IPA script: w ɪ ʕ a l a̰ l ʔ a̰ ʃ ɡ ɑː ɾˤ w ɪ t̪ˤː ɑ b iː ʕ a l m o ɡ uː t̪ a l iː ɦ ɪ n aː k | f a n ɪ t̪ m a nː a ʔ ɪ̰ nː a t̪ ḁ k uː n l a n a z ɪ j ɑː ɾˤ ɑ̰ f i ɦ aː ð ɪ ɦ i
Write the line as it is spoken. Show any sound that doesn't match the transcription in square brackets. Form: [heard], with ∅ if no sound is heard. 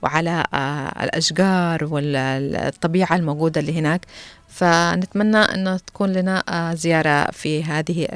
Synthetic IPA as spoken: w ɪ ʕ a l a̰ l ʔ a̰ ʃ ɡ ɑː ɾˤ w ɪ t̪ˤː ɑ b iː ʕ a l m o ɡ uː [d̪] a l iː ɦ ɪ n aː k | f a n ɪ t̪ m a nː a ʔ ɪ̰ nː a t̪ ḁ k uː n l a n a z ɪ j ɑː ɾˤ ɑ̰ f i ɦ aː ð ɪ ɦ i